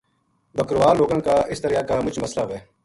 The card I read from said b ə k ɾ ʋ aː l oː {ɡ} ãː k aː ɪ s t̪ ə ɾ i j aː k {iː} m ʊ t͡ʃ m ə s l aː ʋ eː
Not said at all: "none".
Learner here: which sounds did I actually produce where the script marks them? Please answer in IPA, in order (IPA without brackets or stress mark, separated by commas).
ɡ, aː